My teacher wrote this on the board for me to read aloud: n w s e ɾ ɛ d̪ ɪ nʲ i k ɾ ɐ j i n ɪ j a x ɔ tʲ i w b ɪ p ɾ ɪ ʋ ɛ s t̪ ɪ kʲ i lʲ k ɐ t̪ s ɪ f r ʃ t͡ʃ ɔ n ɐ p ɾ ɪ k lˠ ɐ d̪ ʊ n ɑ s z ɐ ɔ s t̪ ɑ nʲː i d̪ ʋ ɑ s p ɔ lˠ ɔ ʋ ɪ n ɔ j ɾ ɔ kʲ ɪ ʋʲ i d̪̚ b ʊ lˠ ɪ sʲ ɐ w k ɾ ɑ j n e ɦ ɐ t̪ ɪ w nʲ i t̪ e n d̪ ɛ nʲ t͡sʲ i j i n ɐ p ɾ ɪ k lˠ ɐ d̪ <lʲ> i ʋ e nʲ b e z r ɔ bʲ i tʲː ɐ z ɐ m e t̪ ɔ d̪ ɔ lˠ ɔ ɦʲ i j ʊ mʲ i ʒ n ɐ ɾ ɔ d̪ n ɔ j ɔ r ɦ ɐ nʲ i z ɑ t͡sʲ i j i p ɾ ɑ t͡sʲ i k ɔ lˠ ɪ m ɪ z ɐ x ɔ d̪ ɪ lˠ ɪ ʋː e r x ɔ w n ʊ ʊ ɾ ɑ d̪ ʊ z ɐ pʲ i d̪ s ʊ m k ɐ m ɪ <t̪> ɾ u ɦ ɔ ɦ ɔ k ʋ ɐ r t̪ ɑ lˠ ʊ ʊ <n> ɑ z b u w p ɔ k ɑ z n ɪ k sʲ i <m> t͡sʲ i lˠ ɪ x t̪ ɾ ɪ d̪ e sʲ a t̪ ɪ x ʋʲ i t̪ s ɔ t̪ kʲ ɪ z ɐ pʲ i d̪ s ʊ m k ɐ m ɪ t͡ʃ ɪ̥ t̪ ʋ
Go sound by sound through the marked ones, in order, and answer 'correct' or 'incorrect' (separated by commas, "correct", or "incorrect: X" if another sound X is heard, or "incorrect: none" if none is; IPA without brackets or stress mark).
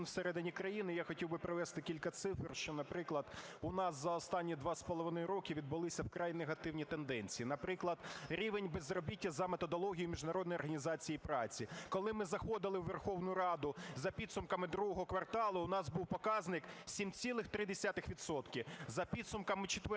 incorrect: ɾʲ, incorrect: d̪, correct, correct